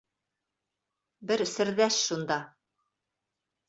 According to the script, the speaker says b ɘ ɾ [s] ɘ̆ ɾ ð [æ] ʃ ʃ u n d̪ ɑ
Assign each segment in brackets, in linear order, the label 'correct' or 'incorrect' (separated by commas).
correct, correct